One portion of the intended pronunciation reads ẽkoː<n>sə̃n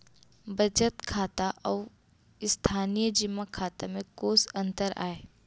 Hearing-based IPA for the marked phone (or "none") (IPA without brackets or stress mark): none